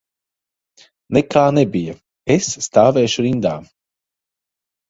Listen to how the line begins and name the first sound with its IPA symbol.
n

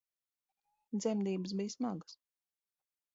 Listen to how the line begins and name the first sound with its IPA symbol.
d̪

